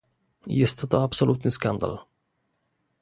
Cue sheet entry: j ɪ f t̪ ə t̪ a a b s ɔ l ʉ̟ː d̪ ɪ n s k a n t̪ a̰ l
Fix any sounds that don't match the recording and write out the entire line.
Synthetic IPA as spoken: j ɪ s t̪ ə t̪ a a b s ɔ l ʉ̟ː t̪ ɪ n s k a n d̪ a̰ l